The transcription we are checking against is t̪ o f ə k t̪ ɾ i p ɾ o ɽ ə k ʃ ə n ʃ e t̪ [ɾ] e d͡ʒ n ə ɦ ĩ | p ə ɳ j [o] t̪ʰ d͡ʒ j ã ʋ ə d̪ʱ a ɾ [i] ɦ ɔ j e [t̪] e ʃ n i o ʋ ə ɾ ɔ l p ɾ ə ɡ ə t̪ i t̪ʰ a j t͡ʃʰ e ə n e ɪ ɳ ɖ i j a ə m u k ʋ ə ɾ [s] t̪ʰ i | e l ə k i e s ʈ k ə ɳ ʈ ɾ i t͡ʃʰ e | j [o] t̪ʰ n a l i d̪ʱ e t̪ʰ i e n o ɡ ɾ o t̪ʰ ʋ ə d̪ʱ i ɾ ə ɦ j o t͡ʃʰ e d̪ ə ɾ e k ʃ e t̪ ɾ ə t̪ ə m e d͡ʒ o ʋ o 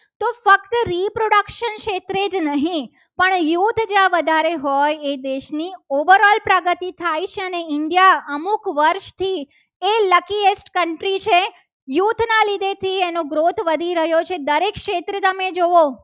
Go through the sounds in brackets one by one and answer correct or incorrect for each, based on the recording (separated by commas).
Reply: correct, incorrect, incorrect, incorrect, incorrect, incorrect